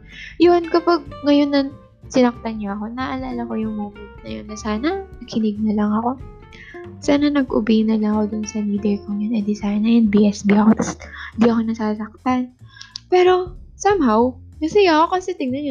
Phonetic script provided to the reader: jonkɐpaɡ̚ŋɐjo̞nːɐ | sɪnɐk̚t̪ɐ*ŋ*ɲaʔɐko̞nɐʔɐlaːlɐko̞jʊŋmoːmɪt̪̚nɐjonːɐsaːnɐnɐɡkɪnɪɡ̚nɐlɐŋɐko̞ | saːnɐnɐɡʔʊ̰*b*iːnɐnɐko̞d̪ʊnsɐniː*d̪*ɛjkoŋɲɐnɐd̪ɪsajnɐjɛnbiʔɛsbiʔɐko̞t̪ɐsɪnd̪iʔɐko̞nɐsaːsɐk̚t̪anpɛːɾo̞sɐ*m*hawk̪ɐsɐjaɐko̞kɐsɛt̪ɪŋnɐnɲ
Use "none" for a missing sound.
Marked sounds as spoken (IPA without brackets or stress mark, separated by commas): n, b, d̪, m